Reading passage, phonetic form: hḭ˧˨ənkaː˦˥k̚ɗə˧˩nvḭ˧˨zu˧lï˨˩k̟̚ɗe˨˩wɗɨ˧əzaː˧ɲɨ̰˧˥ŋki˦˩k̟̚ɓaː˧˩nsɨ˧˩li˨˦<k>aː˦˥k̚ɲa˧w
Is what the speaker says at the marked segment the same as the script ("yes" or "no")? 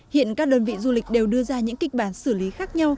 no